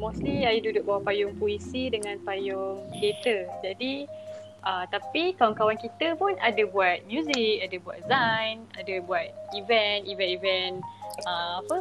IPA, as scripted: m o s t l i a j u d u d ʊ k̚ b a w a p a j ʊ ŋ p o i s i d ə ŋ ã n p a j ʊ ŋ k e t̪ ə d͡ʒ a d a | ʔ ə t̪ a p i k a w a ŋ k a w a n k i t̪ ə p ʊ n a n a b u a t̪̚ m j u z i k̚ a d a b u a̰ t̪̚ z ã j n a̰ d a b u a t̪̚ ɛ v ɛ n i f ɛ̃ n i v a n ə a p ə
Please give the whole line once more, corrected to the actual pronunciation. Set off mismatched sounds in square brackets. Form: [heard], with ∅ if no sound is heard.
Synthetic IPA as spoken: m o s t l i a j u d u d ʊ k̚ b a w a p a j ʊ ŋ p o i s i d ə ŋ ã n p a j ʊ ŋ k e t̪ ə d͡ʒ a d [i] | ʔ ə t̪ a p i k a w a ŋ k a w a n k i t̪ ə p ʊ n a [d] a b u a t̪̚ m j u z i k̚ a d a b u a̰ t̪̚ z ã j n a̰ d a b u a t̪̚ [i] v ɛ n i [v] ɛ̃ n i v [ɛ] n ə a p ə